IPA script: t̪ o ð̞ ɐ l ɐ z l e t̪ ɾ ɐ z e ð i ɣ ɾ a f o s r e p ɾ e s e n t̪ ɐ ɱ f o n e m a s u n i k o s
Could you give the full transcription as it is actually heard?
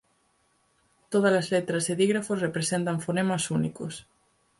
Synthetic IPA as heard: t̪ o ð̞ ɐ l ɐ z l e t̪ ɾ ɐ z e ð i ɣ ɾ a f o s r e p ɾ e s e n t̪ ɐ ɱ f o n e m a s u n i k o s